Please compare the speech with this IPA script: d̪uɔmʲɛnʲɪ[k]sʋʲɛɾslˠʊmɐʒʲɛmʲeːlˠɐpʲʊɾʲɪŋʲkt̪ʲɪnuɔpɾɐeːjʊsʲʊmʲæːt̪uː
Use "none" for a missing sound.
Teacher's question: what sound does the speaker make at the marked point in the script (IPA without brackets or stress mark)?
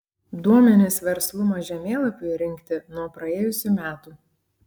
none